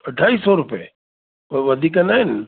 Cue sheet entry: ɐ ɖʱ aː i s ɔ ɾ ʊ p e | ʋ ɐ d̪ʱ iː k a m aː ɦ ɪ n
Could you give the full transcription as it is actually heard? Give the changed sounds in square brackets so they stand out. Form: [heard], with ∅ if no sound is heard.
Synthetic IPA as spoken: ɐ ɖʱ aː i s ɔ ɾ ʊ p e | ʋ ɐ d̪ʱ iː k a [n] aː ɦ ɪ n